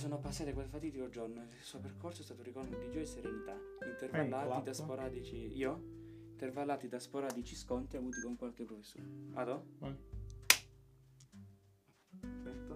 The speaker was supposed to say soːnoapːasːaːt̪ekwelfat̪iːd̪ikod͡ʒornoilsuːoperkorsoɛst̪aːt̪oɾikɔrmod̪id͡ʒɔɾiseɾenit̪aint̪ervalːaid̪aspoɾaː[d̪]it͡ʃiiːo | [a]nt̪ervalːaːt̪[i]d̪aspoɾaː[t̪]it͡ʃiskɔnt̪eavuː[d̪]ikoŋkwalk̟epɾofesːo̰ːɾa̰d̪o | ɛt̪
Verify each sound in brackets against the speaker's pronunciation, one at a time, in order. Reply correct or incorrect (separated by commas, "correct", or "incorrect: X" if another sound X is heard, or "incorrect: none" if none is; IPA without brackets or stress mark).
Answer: correct, incorrect: i, correct, incorrect: d̪, incorrect: t̪